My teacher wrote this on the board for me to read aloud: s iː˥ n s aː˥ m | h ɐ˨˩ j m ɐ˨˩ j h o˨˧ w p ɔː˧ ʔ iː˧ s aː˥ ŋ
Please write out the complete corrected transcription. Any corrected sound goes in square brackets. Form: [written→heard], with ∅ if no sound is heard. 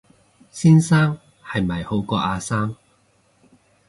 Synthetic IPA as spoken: s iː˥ n s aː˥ [m→ŋ] | h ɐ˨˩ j m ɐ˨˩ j h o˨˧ w [p→k] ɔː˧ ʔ [iː˧→aː˧] s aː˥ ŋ